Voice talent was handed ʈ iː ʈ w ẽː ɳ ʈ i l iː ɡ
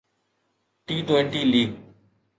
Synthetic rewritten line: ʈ iː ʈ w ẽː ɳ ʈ iː l iː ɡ